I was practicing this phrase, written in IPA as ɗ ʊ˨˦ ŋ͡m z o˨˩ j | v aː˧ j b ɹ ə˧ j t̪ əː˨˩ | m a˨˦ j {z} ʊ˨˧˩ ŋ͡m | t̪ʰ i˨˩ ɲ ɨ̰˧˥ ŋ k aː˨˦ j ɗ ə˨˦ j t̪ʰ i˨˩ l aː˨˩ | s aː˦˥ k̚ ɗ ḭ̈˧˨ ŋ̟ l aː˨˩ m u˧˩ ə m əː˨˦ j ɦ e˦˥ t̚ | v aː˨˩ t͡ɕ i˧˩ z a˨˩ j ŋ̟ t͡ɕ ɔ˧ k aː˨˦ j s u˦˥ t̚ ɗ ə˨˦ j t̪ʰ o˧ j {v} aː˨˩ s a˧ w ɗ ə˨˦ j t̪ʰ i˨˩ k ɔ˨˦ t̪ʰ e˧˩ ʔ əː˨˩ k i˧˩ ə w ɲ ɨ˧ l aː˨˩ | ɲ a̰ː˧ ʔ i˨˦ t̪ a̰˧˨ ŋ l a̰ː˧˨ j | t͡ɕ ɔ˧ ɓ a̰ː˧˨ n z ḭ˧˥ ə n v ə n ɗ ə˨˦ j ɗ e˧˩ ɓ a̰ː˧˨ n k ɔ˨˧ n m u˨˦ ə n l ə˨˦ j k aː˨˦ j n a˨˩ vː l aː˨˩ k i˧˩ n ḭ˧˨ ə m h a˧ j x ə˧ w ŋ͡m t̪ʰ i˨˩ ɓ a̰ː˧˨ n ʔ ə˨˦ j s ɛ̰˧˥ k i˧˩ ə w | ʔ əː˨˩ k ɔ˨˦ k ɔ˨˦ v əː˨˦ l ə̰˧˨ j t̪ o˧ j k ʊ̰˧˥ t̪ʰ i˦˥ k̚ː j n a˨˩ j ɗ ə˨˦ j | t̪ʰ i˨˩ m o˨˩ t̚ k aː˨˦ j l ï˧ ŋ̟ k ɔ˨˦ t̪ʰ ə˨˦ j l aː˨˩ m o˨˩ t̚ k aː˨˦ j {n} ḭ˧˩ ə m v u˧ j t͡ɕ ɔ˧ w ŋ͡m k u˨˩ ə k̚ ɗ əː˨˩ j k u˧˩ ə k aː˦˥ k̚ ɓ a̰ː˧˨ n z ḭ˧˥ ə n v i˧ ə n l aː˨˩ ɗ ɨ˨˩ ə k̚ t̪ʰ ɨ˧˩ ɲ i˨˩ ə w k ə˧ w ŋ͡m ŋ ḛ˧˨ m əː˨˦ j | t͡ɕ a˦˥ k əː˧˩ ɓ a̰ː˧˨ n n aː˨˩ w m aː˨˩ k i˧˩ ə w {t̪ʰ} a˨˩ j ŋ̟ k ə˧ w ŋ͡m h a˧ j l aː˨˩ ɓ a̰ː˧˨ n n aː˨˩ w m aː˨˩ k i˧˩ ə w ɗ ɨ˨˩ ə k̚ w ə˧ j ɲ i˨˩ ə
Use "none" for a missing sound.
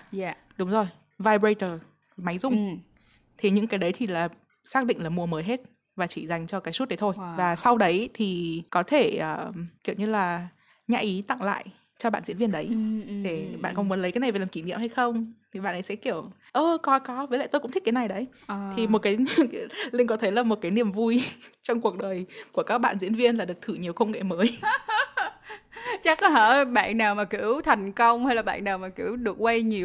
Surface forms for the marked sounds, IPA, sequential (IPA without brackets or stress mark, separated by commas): z, v, n, t̪ʰ